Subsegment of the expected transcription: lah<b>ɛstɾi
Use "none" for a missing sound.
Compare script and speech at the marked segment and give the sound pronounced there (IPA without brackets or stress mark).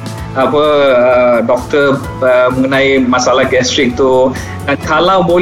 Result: ɡ